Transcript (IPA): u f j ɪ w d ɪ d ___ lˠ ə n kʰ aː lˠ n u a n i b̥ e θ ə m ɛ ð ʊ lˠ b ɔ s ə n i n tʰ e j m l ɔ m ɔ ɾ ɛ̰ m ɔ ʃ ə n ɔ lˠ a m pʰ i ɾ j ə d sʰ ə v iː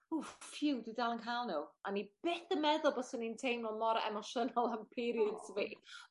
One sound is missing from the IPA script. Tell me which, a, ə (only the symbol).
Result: a